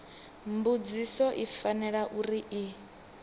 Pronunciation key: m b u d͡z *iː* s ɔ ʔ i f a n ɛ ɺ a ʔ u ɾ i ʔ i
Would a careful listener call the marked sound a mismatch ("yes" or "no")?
yes